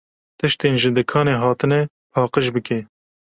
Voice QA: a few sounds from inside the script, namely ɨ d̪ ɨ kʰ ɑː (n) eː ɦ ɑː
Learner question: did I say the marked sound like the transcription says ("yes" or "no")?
yes